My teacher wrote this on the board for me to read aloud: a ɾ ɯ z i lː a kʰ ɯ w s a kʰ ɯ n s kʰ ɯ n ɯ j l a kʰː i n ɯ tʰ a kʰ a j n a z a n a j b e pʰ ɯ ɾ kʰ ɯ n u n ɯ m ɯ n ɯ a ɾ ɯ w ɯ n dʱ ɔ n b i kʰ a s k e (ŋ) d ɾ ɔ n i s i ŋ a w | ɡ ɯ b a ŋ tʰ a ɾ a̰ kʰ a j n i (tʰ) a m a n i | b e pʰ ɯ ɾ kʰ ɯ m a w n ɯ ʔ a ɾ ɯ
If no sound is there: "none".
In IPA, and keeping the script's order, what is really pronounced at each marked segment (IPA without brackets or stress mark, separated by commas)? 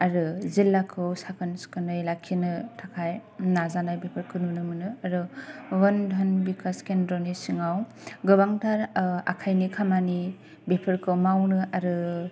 n, kʰ